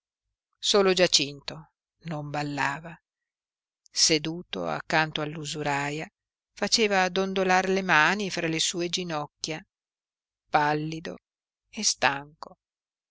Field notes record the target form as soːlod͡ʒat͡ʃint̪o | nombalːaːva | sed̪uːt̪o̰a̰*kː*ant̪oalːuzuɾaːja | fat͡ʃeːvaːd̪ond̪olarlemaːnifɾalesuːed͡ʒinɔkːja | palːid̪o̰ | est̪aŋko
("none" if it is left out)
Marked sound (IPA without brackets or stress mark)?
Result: kː